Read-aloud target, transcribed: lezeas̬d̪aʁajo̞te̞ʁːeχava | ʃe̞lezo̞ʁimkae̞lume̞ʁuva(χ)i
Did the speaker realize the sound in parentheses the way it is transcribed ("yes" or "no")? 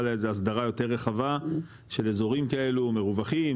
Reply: yes